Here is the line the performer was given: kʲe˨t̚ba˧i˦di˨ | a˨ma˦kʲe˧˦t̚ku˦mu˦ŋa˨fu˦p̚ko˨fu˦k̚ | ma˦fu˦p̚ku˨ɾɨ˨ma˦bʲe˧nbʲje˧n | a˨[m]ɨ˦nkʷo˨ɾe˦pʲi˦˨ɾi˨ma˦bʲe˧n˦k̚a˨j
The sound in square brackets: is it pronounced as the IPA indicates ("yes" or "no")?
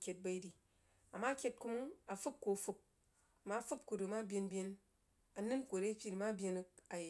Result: no